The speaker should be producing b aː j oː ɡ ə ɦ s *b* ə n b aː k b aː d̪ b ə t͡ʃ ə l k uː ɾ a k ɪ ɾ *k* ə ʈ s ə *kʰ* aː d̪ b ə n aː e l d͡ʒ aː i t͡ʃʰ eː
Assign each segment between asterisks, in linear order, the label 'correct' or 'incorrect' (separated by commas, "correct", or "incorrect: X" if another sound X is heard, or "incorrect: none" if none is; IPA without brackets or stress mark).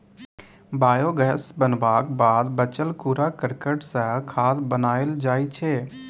correct, correct, correct